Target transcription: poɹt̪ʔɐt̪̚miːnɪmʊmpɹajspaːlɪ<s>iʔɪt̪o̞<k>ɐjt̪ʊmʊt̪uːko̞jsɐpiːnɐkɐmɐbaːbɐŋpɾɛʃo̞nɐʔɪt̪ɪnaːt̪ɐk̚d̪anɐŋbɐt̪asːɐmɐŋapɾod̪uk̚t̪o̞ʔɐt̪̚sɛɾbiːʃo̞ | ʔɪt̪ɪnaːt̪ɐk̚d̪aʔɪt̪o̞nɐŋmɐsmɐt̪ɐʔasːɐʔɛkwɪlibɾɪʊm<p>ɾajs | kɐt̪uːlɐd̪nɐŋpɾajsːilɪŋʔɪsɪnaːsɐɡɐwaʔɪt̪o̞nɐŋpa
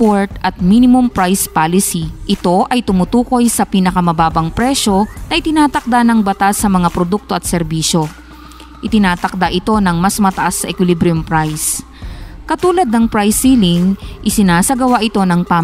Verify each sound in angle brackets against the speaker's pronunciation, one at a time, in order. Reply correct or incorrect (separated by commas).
correct, incorrect, correct